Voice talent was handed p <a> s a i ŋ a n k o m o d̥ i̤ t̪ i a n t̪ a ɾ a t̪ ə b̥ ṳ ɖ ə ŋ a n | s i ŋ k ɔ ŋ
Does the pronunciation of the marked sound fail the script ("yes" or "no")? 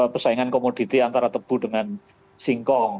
yes